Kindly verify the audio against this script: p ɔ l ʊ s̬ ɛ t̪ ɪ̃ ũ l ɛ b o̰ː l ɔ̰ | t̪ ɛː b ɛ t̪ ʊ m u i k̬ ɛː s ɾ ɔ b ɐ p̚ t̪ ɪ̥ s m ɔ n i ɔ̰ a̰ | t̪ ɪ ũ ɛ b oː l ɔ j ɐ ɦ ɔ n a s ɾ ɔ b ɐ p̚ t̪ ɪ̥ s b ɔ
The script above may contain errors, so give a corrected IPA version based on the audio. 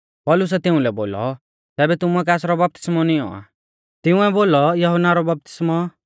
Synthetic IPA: p ɔ l ʊ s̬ ɛ t̪ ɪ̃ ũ l ɛ b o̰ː l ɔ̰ | t̪ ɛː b ɛ t̪ ʊ m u ɛ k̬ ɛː s ɾ ɔ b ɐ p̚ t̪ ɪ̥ s m ɔ n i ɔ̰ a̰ | t̪ ɪ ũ ɛ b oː l ɔ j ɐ ɦ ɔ n a ɾ ɔ b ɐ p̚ t̪ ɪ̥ s m ɔ

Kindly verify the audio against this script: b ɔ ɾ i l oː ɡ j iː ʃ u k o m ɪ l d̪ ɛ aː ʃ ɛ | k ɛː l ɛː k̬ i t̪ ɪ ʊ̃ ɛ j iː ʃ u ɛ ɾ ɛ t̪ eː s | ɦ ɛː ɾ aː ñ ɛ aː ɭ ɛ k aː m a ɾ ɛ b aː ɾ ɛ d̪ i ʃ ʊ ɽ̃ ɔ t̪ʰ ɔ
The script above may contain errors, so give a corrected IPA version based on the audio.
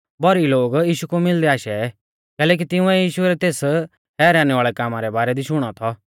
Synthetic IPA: b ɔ ɾ i l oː ɡ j iː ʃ u k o m ɪ l d̪ ɛ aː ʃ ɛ | k ɛː l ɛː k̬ i t̪ ɪ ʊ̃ ɛ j iː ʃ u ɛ ɾ ɛ t̪ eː s | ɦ ɛː ɾ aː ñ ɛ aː ɭ ɛ k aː m a ɾ ɛ b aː ɾ ɛ d̪ i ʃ ʊ ɽ̃ ɔ t̪ʰ ɔ

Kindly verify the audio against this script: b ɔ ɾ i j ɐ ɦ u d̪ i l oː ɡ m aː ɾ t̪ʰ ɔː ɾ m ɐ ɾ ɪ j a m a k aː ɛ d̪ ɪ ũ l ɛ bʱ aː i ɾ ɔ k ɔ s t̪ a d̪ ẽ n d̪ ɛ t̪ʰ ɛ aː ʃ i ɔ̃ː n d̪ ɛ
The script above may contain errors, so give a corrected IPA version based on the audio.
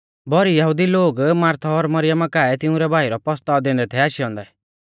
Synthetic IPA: b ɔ ɾ i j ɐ ɦ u d̪ i l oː ɡ m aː ɾ t̪ʰ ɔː ɾ m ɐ ɾ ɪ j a m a k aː ɛ t̪ ɪ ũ ɾ ɛ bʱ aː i ɾ ɔ p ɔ s t̪ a d̪ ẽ n d̪ ɛ t̪ʰ ɛ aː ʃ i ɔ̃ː n d̪ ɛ

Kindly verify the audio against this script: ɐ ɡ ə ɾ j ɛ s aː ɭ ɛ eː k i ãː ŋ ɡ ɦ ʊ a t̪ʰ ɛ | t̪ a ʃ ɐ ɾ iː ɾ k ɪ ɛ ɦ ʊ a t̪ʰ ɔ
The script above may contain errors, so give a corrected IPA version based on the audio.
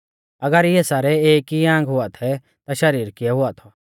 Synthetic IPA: ɐ ɡ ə ɾ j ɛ s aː ɾ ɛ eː k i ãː ŋ ɡ ɦ ʊ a t̪ʰ ɛ | t̪ a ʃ ɐ ɾ iː ɾ k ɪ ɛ ɦ ʊ a t̪ʰ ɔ

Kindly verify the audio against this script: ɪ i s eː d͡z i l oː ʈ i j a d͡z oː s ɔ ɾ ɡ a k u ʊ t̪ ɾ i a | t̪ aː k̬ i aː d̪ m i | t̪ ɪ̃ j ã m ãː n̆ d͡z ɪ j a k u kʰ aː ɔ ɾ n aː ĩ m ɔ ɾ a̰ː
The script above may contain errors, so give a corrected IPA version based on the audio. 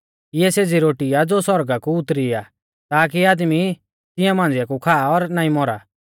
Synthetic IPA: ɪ ɛ s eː d͡z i ɾ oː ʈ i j a d͡z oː s ɔ ɾ ɡ a k u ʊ t̪ ɾ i a | t̪ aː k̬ i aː d̪ m i | t̪ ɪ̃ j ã m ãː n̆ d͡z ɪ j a k u kʰ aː ɔ ɾ n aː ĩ m ɔ ɾ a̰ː

